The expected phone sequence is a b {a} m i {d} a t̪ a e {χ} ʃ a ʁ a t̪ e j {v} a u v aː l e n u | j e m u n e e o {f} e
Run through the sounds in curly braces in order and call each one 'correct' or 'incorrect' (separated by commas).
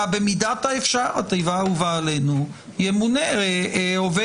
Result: incorrect, correct, incorrect, correct, incorrect